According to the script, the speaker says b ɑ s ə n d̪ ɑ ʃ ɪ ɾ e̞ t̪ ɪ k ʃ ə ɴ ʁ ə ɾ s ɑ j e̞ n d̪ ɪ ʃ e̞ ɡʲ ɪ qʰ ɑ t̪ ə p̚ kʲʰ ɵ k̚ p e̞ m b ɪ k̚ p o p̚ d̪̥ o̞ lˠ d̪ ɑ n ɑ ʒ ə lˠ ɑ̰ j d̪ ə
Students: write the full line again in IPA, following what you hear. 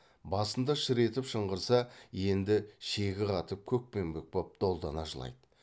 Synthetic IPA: b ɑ s ə n d̪ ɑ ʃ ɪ ɾ e̞ t̪ ɪ p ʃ ə ɴ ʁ ə ɾ s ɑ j e̞ n d̪ ɪ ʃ e̞ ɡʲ ɪ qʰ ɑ t̪ ə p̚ kʲʰ ɵ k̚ p e̞ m b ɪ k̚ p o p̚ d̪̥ o̞ lˠ d̪ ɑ n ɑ ʒ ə lˠ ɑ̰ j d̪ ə